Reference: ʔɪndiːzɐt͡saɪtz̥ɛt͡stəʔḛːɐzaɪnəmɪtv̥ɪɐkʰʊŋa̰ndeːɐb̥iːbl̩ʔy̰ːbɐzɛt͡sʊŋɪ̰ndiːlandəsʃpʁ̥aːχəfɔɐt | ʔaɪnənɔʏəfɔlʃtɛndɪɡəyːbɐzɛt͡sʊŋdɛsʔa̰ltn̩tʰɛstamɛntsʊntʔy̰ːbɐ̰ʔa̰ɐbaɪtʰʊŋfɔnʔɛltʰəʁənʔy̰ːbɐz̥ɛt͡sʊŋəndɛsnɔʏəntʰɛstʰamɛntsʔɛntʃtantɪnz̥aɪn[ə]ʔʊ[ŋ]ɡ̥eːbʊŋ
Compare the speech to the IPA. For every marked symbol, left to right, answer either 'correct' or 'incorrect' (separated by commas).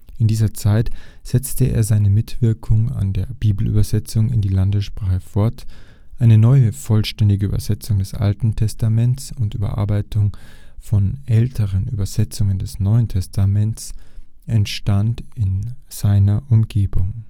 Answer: incorrect, incorrect